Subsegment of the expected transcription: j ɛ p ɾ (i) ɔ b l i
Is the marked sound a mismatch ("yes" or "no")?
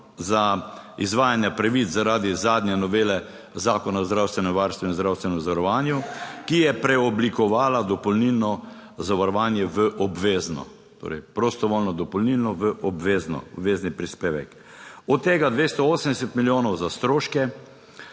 yes